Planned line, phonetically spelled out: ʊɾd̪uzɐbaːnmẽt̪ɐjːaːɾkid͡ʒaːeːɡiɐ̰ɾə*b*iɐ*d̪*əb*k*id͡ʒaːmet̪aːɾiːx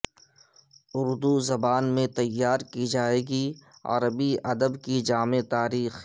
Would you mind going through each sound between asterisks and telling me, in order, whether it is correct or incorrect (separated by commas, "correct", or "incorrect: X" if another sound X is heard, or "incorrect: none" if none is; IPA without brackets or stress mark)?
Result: correct, correct, correct